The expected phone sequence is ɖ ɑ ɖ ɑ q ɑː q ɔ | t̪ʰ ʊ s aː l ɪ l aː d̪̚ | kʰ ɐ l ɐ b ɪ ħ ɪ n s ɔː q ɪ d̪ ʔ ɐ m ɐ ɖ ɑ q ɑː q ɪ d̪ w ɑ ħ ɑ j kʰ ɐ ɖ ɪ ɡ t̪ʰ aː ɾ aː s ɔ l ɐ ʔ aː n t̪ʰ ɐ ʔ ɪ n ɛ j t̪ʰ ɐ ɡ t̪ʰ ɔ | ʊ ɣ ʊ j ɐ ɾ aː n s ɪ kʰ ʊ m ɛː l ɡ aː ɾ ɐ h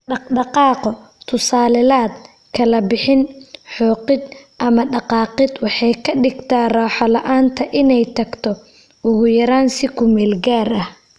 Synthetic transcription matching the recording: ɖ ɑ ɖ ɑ q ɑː q ɔ | t̪ʰ ʊ s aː l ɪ l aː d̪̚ | kʰ ɐ l ɐ b ɪ ħ ɪ n ħ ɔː q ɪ d̪ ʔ ɐ m ɐ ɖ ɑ q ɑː q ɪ d̪ w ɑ ħ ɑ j kʰ ɐ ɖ ɪ ɡ t̪ʰ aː r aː ħ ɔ l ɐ ʔ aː n t̪ʰ ɐ ʔ ɪ n ɛ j t̪ʰ ɐ ɡ t̪ʰ ɔ | ʊ ɣ ʊ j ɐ ɾ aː n s ɪ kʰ ʊ m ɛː l ɡ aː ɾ ɐ h